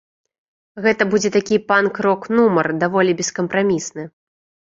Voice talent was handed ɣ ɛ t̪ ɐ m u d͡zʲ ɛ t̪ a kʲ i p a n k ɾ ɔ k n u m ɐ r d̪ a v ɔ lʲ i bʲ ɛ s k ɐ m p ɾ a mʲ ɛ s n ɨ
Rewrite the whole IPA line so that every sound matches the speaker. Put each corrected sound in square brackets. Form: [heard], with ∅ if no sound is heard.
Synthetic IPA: ɣ ɛ t̪ ɐ [b] u d͡zʲ ɛ t̪ a kʲ i p a n k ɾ ɔ k n u m ɐ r d̪ a v ɔ lʲ i bʲ ɛ s k ɐ m p ɾ a mʲ [i] s n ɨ